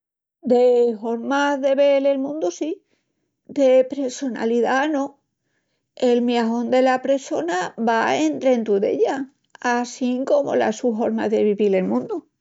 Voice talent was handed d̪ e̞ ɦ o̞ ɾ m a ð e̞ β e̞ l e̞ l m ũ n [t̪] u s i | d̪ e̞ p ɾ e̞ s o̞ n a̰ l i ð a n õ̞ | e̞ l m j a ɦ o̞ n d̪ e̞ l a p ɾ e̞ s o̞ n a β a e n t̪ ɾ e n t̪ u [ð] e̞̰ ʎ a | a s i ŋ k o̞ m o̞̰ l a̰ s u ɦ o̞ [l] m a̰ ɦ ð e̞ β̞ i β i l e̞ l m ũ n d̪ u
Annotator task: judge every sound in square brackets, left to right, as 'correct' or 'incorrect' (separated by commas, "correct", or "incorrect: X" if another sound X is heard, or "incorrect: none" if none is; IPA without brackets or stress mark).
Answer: incorrect: d̪, correct, incorrect: ɾ